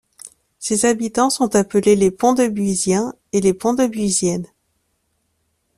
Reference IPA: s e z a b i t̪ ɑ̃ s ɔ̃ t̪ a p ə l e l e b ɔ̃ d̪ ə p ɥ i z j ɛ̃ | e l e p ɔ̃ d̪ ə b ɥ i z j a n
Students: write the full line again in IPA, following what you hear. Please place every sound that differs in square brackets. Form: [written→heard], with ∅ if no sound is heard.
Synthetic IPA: s e z a b i t̪ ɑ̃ s ɔ̃ t̪ a p ə l e l e [b→p] ɔ̃ d̪ ə [p→b] ɥ i z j ɛ̃ | e l e p ɔ̃ d̪ ə b ɥ i z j [a→ɛ] n

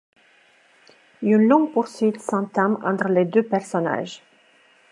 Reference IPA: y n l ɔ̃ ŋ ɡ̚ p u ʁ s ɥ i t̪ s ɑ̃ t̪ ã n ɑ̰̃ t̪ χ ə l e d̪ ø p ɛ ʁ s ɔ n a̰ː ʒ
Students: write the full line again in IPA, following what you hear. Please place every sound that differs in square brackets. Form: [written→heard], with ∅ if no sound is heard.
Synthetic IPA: y n l ɔ̃ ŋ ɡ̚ p u ʁ s ɥ i t̪ s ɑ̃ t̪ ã [n→m] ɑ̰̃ t̪ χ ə l e d̪ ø p ɛ ʁ s ɔ n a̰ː ʒ

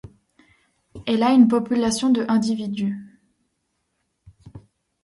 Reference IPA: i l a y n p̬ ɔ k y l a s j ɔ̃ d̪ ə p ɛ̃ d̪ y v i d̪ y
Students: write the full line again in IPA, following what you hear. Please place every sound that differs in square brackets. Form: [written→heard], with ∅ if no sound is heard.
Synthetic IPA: [i→ɛ] l a y n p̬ ɔ [k→p] y l a s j ɔ̃ d̪ ə [p→ʔ] ɛ̃ d̪ [y→i] v i d̪ y

